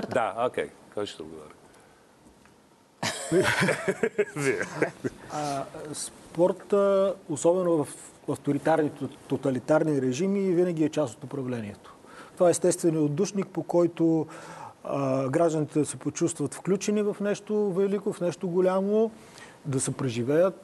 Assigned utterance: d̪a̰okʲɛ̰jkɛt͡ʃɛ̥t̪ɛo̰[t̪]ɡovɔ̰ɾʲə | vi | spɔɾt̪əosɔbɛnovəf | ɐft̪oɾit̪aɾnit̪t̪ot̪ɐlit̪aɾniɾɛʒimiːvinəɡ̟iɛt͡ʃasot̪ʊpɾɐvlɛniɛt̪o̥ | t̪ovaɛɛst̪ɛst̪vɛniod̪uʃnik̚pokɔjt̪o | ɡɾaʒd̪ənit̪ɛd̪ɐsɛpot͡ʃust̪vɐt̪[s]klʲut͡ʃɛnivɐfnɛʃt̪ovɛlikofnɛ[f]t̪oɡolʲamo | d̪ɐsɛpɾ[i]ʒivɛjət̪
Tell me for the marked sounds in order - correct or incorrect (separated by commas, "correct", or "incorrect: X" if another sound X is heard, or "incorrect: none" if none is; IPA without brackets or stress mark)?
incorrect: d̪, incorrect: f, incorrect: ʃ, incorrect: ɛ